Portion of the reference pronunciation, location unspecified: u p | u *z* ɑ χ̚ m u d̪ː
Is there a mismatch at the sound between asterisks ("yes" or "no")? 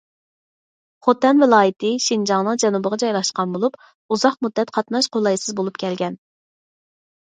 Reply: no